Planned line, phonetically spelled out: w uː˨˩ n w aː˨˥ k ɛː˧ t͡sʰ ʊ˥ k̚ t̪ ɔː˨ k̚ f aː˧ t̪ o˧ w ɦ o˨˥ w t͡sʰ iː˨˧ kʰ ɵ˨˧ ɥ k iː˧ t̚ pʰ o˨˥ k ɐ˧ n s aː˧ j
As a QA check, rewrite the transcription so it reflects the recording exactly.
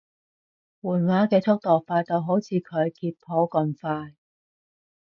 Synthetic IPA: w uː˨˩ n w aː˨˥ k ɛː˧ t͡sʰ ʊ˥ k̚ t̪ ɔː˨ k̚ f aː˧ t̪ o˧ w ɦ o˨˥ w t͡sʰ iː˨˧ kʰ ɵ˨˧ ɥ k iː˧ t̚ pʰ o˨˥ k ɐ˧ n f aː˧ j

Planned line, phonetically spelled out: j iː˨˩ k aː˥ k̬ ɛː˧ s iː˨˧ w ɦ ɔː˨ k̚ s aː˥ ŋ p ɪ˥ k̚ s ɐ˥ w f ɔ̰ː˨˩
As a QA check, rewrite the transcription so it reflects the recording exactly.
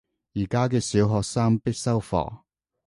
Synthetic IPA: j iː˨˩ k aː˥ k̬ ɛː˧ s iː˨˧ w ɦ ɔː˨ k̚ s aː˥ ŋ p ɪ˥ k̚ s ɐ˥ w f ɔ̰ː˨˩

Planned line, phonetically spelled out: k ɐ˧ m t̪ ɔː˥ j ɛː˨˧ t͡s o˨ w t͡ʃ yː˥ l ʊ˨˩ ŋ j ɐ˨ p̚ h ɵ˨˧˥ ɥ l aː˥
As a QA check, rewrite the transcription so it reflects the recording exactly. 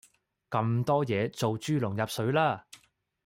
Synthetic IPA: k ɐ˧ m t̪ ɔː˥ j ɛː˨˧ t͡s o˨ w t͡ʃ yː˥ l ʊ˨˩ ŋ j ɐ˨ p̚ s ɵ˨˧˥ ɥ l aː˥

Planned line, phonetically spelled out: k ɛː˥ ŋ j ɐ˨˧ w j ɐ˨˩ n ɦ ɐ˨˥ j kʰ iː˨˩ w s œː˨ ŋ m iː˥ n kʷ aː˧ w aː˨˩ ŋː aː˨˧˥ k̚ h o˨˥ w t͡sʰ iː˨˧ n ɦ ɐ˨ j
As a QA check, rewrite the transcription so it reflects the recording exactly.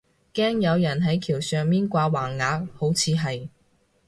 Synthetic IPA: k ɛː˥ ŋ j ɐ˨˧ w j ɐ˨˩ n ɦ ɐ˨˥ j kʰ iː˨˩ w s œː˨ ŋ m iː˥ n kʷ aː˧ w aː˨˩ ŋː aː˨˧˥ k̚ h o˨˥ w t͡sʰ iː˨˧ ɦ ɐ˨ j

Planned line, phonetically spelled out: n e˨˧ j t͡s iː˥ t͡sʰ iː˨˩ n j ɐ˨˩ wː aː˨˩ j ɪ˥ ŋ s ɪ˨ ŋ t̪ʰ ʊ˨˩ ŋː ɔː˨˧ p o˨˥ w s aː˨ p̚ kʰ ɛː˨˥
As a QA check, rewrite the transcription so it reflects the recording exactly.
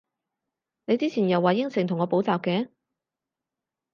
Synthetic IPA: n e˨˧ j t͡s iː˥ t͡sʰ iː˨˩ n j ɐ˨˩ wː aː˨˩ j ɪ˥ ŋ s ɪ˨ ŋ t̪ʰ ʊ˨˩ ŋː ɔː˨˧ p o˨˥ w t͡s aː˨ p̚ k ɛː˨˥

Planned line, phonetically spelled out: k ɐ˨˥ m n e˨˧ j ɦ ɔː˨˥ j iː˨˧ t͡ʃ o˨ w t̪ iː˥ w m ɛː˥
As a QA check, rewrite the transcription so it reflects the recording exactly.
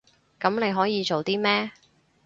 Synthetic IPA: k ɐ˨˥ m n e˨˧ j ɦ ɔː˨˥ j iː˨˧ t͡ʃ o˨ w t̪ iː˥ m ɛː˥

